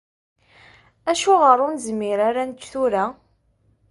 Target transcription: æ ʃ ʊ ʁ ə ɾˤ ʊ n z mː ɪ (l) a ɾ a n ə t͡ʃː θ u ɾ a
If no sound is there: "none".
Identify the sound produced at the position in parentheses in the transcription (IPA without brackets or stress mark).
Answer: ɾ